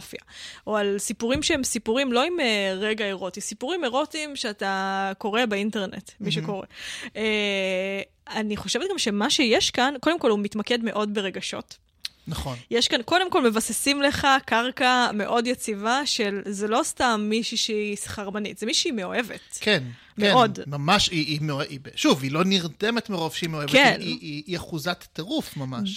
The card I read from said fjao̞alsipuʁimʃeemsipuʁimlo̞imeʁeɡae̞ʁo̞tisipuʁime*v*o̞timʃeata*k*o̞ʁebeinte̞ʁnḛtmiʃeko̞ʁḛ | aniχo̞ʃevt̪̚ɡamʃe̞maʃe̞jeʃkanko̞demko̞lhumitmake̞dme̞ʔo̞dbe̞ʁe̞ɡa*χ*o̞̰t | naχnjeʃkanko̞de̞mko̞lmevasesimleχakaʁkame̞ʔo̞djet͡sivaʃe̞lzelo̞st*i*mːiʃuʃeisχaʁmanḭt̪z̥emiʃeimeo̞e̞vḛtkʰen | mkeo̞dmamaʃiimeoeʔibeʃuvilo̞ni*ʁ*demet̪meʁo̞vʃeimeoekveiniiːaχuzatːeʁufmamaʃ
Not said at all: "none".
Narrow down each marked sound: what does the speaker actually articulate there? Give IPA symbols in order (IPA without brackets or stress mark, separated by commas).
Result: ʁ, k, ʃ, a, ʁ